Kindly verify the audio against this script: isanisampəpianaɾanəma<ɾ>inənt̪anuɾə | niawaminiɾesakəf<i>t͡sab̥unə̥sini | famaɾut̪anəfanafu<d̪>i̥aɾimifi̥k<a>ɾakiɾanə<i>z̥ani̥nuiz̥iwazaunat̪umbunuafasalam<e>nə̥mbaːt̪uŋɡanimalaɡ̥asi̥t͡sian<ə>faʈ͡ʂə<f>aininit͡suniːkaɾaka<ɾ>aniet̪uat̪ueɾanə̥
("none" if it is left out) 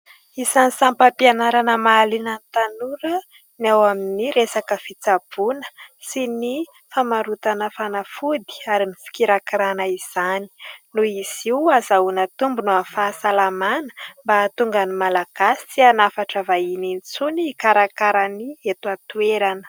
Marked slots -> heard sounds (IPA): l, i, d̪, i, i, a, a, v, ɾ

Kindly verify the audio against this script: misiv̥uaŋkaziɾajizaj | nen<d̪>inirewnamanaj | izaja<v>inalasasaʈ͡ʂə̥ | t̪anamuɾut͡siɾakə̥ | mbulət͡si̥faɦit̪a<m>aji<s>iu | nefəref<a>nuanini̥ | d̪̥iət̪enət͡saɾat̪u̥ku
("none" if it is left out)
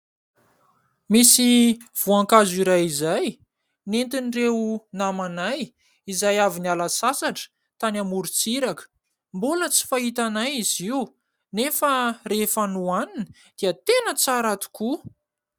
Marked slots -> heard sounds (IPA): t̪, v, n, z, a

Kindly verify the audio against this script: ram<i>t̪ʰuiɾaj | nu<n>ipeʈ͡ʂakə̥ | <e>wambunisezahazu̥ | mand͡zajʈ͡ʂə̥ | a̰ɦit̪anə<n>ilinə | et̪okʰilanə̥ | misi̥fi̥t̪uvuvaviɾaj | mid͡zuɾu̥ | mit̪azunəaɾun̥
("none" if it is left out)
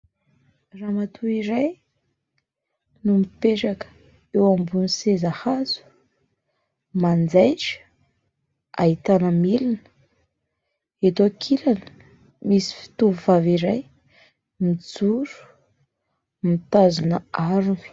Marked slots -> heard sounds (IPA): a, m, e, m

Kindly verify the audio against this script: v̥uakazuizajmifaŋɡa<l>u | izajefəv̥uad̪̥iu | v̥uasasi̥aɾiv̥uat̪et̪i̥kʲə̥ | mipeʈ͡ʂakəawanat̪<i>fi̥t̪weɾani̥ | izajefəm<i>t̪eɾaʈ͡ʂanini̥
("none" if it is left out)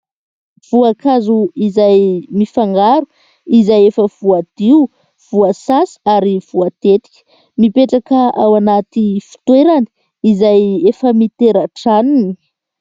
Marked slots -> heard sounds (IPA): ɾ, i, i

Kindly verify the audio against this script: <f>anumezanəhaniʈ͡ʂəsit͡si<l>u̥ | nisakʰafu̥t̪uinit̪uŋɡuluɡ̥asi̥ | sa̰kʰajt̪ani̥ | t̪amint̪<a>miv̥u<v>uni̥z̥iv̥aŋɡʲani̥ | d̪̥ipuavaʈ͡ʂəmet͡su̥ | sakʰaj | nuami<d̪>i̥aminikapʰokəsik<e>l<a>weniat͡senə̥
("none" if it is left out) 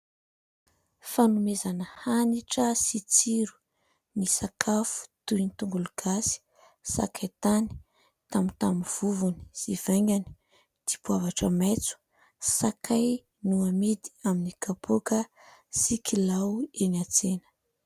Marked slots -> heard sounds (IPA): f, ɾ, a, v, d̪, i, a

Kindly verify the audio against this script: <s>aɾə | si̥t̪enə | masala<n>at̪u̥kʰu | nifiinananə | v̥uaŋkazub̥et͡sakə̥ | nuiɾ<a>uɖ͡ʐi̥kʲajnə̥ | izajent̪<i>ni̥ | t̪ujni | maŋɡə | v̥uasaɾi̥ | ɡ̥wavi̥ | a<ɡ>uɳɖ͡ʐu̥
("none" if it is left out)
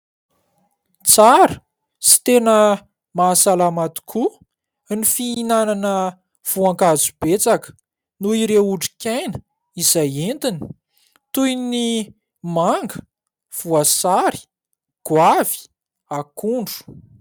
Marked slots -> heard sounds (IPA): t͡s, m, e, i, k

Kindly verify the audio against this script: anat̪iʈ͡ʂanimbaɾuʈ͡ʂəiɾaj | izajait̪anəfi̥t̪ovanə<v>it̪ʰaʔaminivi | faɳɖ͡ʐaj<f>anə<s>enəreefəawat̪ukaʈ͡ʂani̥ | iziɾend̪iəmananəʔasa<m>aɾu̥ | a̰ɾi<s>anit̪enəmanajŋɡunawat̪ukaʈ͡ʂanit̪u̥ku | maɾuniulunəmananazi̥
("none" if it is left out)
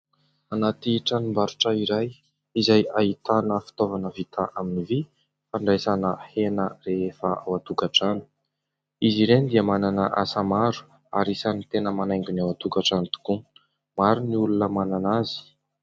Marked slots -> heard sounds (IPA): v, s, h, m, s

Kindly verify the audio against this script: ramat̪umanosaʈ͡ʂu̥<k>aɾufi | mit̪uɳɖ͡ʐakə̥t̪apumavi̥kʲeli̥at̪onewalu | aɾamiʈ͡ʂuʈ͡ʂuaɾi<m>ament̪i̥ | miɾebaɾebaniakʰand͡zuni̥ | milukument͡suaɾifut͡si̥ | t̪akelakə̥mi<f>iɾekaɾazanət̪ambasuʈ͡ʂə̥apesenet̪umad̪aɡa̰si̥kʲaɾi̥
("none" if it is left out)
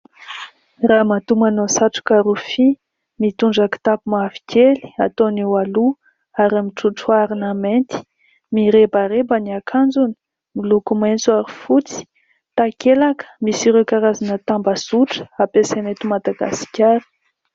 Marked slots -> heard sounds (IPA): k, n, s

